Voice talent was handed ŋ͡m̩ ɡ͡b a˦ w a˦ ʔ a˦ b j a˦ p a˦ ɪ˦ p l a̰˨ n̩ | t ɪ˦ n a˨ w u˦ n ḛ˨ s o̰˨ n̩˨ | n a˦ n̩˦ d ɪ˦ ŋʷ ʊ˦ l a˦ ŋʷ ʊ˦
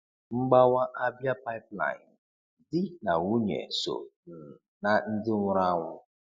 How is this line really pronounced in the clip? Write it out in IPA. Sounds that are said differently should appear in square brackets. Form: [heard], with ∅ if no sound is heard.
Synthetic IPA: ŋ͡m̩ ɡ͡b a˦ w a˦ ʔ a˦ b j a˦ p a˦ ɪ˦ p l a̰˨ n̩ | [d] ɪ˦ n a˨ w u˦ [ɲ] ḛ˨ s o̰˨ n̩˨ | n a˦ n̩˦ d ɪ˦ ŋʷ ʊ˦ [ɾ] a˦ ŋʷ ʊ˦